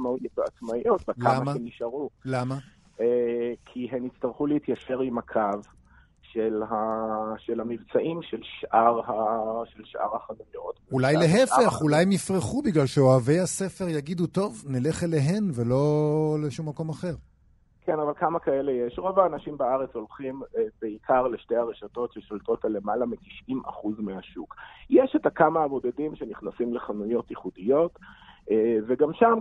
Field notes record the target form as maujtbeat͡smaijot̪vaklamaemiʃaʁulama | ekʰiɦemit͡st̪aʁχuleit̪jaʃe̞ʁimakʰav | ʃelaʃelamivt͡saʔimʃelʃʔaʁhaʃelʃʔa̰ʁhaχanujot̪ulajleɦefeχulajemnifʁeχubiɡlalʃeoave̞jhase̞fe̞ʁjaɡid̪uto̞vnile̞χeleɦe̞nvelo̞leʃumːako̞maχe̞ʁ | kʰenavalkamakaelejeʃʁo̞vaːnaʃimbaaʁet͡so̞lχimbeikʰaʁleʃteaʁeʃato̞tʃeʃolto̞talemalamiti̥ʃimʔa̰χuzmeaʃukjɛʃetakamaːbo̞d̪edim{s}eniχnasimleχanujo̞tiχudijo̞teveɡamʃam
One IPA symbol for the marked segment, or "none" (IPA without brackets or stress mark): ʃ